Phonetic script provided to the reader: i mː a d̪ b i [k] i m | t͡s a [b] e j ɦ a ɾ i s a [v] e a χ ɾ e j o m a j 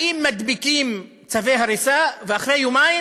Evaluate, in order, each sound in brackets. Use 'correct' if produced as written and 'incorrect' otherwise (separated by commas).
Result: correct, incorrect, correct